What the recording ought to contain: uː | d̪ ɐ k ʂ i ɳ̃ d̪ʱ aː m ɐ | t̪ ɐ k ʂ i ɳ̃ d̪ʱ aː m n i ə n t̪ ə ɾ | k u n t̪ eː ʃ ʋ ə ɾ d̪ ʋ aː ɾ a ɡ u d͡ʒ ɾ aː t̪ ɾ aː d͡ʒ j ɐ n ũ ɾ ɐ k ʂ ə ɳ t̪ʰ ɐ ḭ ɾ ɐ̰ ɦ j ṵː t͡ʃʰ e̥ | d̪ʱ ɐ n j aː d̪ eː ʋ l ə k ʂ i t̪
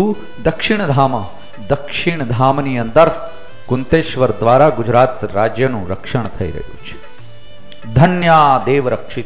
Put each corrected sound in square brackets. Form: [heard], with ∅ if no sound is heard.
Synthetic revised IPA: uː | d̪ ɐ k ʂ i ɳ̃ d̪ʱ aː m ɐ | [d̪] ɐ k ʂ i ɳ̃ d̪ʱ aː m n i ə n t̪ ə ɾ | k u n t̪ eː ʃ ʋ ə ɾ d̪ ʋ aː ɾ a ɡ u d͡ʒ ɾ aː t̪ ɾ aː d͡ʒ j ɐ n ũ ɾ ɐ k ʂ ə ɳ t̪ʰ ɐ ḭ ɾ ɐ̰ ɦ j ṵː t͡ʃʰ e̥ | d̪ʱ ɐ n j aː d̪ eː ʋ [ɾ] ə k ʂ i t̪